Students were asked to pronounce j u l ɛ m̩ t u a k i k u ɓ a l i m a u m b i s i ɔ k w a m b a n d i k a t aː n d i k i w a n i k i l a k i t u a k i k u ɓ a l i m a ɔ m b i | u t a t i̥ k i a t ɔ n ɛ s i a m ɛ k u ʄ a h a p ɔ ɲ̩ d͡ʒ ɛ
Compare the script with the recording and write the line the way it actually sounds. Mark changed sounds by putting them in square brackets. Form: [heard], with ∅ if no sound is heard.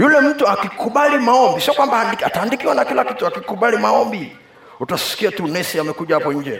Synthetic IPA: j u l ɛ m̩ t u a k i k u ɓ a l i m a [ɔ] m b i s i ɔ k w a m b a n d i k a t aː n d i k i w a n [a] k i l a k i t u a k i k u ɓ a l i m a ɔ m b i | u t a [s] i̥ k i a t [u] n ɛ s i a m ɛ k u ʄ a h a p ɔ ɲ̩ d͡ʒ ɛ